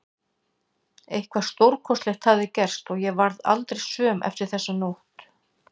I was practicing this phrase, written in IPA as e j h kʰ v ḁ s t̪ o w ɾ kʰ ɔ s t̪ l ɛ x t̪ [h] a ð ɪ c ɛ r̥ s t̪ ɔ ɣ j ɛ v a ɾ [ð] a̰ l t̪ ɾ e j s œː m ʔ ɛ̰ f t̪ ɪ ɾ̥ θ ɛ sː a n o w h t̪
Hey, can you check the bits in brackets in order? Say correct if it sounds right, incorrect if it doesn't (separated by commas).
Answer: correct, correct